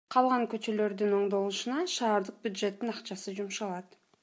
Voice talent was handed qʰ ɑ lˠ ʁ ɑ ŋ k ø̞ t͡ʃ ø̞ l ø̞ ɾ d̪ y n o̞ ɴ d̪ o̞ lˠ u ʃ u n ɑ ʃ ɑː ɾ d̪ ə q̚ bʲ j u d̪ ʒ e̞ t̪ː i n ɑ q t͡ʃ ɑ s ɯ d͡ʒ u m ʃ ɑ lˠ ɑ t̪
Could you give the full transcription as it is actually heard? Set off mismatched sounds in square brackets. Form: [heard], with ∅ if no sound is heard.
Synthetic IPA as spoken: qʰ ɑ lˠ ʁ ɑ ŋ k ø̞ t͡ʃ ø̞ l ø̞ ɾ d̪ y n o̞ ɴ d̪ o̞ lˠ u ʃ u n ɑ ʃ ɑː ɾ d̪ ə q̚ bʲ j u d̪ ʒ e̞ t̪ː i n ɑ q t͡ʃ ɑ s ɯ d͡ʒ u m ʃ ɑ lˠ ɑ t̪